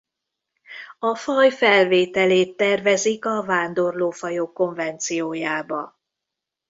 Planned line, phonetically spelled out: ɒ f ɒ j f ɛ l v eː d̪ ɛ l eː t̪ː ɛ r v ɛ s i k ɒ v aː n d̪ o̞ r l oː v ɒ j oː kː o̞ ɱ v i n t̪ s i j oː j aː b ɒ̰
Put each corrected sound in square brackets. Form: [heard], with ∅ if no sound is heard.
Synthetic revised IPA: ɒ f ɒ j f ɛ l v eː [t̪] ɛ l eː t̪ː ɛ r v ɛ [z] i k ɒ v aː n d̪ o̞ r l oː [f] ɒ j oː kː o̞ ɱ v [ɛ] n t̪ s i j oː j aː b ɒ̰

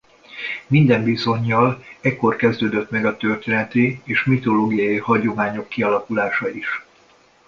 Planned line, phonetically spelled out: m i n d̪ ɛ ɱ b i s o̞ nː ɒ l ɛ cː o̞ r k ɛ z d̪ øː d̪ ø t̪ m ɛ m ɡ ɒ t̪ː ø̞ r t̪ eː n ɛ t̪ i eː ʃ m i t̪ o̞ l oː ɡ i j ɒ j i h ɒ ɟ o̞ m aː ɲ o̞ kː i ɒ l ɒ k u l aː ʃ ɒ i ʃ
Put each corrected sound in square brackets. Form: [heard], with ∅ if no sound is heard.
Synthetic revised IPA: m i n d̪ ɛ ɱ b i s o̞ [ɲː] ɒ l ɛ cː o̞ r k ɛ z d̪ øː d̪ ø t̪ m ɛ [∅] ɡ ɒ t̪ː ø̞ r t̪ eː n ɛ t̪ i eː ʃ m i t̪ o̞ l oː ɡ i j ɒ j i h ɒ ɟ o̞ m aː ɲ o̞ kː i ɒ l ɒ k u l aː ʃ ɒ i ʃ

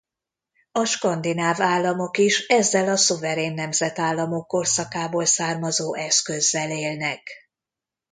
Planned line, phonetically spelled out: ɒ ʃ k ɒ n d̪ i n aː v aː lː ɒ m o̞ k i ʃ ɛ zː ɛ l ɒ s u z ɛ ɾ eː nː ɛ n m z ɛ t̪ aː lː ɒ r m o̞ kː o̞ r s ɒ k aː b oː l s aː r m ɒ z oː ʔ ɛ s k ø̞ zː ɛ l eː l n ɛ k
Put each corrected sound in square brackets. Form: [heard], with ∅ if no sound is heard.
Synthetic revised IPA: ɒ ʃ k ɒ n d̪ i n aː v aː lː ɒ m o̞ k i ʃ ɛ zː ɛ l ɒ s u [v] ɛ ɾ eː nː ɛ [∅] m z ɛ t̪ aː lː ɒ [∅] m o̞ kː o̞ r s ɒ k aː b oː l s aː r m ɒ z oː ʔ ɛ s k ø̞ zː ɛ l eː l n ɛ k

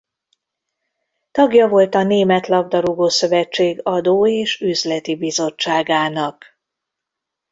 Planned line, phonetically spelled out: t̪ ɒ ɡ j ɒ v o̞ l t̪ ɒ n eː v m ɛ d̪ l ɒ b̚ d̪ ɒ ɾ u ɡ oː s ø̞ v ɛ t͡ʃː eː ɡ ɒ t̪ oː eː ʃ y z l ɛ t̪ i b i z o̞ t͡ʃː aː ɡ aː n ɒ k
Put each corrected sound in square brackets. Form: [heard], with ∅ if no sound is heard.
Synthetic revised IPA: t̪ ɒ ɡ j ɒ v o̞ l t̪ ɒ n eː [∅] m ɛ [t̪] l ɒ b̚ d̪ ɒ ɾ u ɡ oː s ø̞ v ɛ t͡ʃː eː ɡ ɒ [d̪] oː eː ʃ y z l ɛ t̪ i b i z o̞ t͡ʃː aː ɡ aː n ɒ k

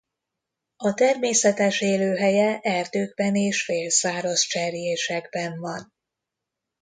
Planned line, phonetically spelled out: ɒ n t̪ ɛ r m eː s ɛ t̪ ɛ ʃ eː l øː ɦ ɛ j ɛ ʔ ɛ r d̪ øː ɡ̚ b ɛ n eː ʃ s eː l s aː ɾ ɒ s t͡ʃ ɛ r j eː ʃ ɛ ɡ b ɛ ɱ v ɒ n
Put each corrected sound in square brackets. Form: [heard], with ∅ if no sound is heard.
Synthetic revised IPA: ɒ [∅] t̪ ɛ r m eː s ɛ t̪ ɛ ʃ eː l øː ɦ ɛ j ɛ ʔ ɛ r d̪ øː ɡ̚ b ɛ n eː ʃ [f] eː l s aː ɾ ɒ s t͡ʃ ɛ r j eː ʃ ɛ ɡ b ɛ ɱ v ɒ n

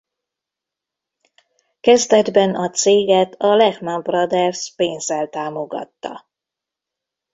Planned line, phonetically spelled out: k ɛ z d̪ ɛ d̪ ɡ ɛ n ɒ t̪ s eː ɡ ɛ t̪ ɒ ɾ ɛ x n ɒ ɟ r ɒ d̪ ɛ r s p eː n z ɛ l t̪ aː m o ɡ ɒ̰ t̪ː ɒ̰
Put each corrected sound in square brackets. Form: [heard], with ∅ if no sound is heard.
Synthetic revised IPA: k ɛ z d̪ ɛ d̪ [b] ɛ n ɒ t̪ s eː ɡ ɛ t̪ ɒ [l] ɛ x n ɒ [b] r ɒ d̪ ɛ r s p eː n z ɛ l t̪ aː m o ɡ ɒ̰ t̪ː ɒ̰

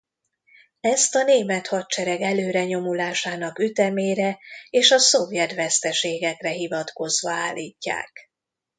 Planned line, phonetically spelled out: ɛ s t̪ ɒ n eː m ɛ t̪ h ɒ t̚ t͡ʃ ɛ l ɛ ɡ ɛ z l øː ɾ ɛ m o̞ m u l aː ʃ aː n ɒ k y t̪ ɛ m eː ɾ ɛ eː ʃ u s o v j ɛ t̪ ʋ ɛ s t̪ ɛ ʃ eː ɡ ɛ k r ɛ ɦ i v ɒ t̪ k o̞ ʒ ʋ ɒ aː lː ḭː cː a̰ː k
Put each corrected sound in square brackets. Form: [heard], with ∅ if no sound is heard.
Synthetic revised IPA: ɛ s t̪ ɒ n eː m ɛ t̪ h ɒ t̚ t͡ʃ ɛ [ɾ] ɛ ɡ ɛ [∅] l øː ɾ ɛ [ɲ] o̞ m u l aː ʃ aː n ɒ k y t̪ ɛ m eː ɾ ɛ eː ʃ [ɒ] s o v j ɛ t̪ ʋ ɛ s t̪ ɛ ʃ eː ɡ ɛ k r ɛ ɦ i v ɒ t̪ k o̞ [z] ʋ ɒ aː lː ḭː cː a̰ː k

